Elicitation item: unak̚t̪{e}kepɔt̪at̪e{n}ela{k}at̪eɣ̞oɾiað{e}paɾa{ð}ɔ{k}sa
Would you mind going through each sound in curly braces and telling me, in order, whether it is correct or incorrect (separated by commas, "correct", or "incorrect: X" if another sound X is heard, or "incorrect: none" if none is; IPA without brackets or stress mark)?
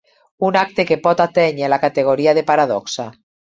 correct, incorrect: ɲ, correct, correct, correct, correct